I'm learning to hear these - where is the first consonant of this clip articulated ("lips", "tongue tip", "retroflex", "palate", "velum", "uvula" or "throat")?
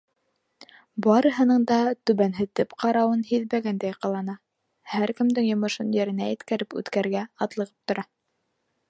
lips